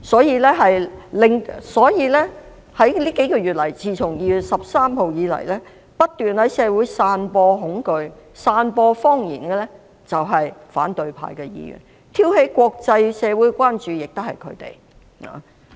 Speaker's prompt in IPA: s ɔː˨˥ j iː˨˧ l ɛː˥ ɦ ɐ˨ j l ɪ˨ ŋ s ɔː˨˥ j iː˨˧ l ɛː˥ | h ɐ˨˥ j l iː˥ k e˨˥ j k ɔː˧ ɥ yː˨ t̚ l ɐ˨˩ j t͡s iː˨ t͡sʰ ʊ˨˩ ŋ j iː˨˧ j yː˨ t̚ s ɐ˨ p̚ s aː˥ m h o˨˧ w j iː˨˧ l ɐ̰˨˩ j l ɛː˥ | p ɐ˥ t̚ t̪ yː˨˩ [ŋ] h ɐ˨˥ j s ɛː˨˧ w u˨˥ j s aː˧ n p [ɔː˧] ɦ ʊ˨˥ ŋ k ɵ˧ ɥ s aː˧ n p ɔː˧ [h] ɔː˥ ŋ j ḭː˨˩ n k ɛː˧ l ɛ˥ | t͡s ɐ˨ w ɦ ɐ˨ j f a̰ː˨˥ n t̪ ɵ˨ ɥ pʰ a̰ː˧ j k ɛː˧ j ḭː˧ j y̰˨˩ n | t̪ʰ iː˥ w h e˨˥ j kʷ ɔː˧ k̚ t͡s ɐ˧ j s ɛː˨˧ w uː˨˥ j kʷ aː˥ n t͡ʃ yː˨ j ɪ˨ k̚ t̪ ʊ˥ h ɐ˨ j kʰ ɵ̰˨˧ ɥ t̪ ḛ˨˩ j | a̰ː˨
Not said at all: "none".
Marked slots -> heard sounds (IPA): n, ɔː˧, f

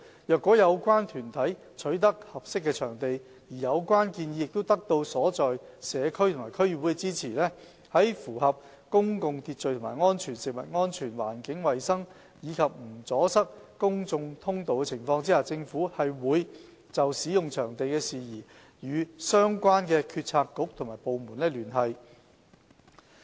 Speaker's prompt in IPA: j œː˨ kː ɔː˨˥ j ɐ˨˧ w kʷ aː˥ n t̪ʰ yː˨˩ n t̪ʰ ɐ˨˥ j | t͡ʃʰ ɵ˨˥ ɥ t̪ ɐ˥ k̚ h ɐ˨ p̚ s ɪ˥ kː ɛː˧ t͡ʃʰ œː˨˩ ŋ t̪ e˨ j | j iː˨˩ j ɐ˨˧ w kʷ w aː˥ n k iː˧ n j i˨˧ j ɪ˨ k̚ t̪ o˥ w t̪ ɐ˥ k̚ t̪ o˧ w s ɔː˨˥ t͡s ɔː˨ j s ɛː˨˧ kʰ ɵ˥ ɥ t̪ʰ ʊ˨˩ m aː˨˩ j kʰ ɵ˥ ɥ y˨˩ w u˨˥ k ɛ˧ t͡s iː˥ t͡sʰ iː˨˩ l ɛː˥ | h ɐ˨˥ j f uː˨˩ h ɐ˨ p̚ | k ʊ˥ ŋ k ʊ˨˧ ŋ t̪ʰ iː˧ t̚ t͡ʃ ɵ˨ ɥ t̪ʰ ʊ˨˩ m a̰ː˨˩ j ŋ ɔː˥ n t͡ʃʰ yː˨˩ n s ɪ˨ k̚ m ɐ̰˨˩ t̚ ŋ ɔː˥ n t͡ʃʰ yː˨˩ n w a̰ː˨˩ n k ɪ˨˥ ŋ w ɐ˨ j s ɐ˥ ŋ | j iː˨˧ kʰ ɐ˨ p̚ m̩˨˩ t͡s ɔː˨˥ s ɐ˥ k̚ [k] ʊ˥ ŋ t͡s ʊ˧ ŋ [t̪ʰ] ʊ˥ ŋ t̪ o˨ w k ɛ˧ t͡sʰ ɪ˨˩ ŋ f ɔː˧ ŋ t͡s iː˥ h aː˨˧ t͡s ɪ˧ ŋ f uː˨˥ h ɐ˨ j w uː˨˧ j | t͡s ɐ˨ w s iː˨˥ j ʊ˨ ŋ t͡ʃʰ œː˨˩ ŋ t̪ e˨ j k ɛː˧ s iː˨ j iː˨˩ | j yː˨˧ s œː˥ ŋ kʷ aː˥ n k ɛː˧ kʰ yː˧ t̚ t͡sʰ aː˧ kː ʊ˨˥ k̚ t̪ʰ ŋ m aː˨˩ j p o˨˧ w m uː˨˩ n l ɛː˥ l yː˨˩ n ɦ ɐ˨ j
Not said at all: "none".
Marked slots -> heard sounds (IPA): k, t̪ʰ

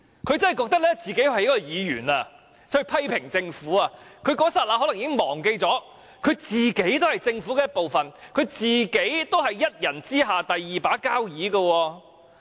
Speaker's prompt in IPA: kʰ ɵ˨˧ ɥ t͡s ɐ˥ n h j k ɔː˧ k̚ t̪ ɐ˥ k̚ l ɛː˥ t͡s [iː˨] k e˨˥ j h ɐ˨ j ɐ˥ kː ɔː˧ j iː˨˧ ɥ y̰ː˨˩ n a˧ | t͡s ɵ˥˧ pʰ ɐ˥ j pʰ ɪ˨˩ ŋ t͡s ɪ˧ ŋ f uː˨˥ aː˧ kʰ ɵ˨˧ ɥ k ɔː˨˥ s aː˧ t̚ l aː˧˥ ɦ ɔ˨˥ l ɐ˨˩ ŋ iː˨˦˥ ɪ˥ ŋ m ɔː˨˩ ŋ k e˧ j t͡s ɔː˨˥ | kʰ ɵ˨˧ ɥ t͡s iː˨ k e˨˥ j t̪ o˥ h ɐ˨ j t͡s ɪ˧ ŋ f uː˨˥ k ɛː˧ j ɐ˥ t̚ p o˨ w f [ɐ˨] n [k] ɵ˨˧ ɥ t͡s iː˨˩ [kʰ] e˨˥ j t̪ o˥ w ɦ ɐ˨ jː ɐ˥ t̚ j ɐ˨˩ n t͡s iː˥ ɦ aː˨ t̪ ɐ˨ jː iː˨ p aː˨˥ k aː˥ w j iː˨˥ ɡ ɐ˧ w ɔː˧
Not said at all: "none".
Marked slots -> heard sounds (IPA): iː˨, ɐ˨, kʰ, k

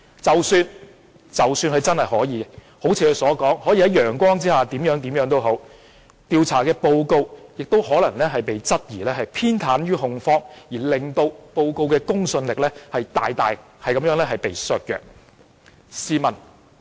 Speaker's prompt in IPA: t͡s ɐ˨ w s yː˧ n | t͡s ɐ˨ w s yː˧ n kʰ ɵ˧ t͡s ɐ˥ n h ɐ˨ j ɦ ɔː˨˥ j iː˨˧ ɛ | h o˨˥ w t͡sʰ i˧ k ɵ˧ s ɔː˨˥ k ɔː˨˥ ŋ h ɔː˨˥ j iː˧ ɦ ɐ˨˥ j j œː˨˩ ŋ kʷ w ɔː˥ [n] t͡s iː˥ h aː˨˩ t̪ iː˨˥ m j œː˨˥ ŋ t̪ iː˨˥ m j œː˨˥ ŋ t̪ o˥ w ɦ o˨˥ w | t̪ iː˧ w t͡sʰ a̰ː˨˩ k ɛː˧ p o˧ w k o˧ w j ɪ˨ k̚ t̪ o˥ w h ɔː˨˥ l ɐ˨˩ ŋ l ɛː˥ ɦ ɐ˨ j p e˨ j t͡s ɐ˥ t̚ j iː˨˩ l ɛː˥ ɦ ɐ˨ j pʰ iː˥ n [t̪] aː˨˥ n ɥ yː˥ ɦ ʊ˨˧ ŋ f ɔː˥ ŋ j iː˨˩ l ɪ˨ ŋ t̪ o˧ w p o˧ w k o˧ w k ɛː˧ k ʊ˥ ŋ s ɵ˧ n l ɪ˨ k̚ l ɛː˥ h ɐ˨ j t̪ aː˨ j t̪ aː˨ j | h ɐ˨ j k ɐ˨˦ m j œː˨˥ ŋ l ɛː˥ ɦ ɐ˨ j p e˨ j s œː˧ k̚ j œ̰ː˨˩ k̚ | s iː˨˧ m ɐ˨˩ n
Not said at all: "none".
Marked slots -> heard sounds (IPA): ŋ, t̪ʰ

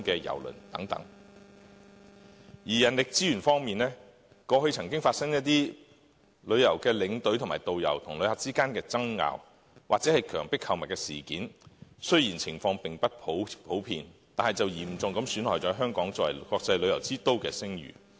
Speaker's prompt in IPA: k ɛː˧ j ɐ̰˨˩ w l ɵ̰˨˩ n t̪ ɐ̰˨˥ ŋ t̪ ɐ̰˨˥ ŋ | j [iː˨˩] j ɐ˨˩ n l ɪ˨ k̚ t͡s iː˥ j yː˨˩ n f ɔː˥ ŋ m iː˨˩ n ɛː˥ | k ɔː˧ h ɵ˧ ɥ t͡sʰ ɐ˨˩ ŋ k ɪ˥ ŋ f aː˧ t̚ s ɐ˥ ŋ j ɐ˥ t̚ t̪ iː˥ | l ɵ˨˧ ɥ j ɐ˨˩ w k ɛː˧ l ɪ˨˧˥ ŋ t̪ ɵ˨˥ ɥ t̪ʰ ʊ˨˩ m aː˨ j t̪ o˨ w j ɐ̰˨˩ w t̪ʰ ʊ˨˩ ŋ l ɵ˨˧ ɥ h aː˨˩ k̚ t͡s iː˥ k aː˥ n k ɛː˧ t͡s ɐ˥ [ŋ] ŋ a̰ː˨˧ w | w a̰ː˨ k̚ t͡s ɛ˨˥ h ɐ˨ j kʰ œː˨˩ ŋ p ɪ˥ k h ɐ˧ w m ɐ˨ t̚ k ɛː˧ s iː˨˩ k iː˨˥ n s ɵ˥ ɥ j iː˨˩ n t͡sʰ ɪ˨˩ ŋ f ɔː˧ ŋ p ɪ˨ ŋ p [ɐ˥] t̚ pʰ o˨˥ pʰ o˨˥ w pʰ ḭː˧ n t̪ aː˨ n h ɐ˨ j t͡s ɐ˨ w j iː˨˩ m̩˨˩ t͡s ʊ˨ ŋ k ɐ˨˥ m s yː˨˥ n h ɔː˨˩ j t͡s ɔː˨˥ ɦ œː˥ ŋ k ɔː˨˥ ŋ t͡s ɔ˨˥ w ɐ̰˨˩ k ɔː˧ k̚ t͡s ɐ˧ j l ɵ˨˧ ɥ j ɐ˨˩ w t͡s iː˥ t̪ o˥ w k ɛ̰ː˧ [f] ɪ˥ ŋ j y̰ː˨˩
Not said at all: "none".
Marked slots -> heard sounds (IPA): iː˨˩, ŋ, ɐ˥, s

